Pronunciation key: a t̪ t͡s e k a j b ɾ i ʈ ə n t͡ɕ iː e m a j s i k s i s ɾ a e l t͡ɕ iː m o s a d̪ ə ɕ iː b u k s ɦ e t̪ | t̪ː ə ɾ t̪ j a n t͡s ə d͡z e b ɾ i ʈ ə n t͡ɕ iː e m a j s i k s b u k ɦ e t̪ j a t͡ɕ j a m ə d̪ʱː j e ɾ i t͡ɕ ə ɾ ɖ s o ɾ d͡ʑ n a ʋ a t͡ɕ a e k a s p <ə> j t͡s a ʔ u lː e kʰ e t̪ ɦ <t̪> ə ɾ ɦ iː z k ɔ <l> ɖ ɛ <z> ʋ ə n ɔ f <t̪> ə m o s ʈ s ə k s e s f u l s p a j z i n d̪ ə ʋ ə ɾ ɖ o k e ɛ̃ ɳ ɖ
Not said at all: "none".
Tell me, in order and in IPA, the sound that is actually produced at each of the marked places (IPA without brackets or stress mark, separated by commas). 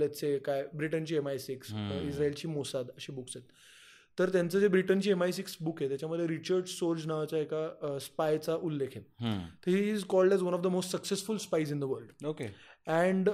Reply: a, t̪, l, z, d̪